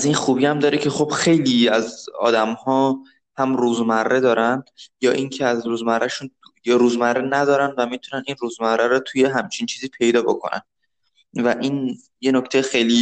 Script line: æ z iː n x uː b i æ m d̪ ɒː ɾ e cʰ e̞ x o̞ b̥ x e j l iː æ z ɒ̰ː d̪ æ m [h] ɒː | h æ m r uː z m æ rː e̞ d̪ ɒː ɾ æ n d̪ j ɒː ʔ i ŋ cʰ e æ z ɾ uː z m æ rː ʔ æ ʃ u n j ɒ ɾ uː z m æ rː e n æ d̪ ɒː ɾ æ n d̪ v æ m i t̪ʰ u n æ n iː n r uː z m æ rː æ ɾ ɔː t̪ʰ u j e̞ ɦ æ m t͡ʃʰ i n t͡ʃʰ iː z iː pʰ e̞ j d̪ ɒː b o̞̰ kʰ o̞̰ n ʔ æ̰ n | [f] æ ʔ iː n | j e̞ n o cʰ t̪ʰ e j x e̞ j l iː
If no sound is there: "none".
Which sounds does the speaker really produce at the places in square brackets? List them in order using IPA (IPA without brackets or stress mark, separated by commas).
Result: h, v